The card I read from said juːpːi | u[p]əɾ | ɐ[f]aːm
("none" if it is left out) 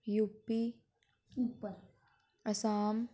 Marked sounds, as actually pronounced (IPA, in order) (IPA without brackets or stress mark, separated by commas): p, s